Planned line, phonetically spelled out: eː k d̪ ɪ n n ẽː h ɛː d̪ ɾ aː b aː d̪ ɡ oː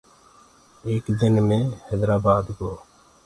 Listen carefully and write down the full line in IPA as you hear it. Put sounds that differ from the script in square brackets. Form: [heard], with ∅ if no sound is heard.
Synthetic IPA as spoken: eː k d̪ ɪ n [m] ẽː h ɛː d̪ ɾ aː b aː d̪ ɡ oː

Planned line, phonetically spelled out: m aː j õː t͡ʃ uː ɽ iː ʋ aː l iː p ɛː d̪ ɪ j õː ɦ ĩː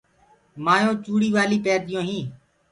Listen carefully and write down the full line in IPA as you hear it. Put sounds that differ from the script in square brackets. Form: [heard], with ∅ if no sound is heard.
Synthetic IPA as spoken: m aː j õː t͡ʃ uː ɽ iː ʋ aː l iː p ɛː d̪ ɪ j õː ɦ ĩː

